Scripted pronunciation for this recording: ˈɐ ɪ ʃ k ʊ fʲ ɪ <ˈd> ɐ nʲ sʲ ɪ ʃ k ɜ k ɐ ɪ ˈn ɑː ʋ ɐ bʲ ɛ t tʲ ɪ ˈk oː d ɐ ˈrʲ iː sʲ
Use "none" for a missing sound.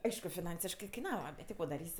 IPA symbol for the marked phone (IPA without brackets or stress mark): n